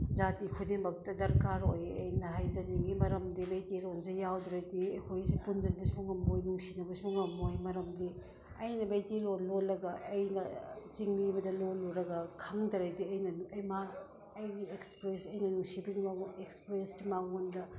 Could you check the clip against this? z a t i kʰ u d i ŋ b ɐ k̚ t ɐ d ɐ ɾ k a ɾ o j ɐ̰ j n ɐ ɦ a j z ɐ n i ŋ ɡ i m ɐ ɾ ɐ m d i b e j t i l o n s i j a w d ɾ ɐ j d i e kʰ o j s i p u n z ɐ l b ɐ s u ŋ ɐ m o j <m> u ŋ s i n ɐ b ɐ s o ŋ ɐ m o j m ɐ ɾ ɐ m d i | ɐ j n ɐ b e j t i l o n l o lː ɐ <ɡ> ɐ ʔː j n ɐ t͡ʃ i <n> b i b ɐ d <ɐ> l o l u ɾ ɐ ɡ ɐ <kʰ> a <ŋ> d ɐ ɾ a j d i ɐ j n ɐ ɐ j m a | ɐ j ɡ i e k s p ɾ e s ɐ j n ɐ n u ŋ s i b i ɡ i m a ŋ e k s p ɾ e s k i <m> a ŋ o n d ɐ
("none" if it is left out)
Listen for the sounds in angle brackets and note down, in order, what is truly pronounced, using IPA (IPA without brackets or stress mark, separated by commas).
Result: n, ɡ, ŋ, ɐ, kʰ, ŋ, m